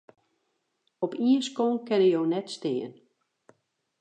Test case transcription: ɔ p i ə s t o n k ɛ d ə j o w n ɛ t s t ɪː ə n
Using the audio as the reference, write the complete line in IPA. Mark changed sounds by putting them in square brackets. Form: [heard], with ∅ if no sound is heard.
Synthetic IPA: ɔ p i ə s [k] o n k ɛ [n] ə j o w n ɛ t s t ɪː ə n